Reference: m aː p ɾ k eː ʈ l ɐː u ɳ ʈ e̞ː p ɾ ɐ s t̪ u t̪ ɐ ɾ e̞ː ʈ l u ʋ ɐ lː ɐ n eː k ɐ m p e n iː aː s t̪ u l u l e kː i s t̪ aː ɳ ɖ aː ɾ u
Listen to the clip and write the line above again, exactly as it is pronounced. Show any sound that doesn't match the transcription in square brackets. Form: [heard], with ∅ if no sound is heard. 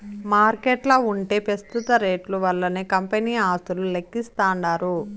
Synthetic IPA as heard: m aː [∅] ɾ k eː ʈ l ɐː u ɳ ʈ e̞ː p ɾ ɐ s t̪ u t̪ ɐ ɾ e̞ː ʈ l u ʋ ɐ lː ɐ n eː k ɐ m p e n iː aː s t̪ u l u l e kː i s t̪ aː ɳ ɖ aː ɾ u